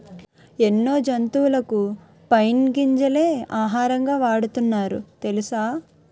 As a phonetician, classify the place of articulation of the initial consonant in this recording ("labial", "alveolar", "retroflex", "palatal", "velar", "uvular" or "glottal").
alveolar